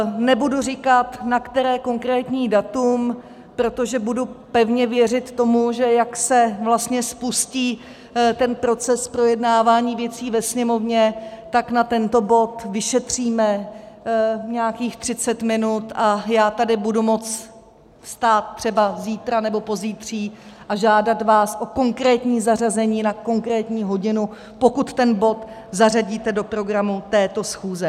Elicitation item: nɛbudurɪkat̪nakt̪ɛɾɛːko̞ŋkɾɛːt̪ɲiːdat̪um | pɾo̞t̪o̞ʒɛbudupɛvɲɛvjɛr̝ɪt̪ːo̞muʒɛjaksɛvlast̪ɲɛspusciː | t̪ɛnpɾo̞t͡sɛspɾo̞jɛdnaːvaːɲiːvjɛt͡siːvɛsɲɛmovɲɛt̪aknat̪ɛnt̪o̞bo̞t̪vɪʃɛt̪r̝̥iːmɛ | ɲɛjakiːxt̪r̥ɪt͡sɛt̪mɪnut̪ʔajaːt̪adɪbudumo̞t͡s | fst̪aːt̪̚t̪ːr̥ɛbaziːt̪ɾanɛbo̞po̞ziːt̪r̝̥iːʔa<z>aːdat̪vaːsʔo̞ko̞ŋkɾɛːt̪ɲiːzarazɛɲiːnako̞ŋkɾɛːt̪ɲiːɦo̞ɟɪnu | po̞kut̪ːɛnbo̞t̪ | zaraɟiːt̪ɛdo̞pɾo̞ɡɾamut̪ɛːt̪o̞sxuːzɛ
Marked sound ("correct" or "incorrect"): incorrect